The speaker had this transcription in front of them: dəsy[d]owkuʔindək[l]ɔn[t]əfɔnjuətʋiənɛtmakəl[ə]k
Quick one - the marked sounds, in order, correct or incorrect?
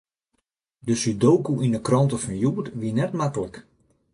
correct, incorrect, correct, correct

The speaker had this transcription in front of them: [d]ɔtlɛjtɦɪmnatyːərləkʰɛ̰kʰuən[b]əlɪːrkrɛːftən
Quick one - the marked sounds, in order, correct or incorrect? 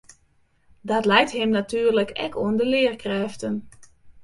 correct, incorrect

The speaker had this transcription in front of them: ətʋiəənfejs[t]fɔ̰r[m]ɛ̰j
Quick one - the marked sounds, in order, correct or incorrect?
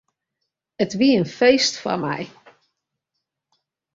correct, correct

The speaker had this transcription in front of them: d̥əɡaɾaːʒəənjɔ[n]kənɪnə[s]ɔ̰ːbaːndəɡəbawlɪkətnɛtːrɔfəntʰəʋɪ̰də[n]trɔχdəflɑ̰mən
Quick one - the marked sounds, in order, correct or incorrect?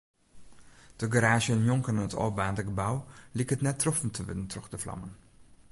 incorrect, incorrect, correct

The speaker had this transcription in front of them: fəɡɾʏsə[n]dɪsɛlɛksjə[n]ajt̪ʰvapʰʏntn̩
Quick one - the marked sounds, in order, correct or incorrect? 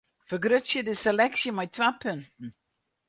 incorrect, incorrect

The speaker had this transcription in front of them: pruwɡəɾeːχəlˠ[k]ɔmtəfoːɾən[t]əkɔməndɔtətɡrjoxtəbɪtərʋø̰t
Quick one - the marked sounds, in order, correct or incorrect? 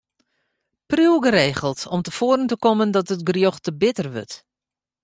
incorrect, correct

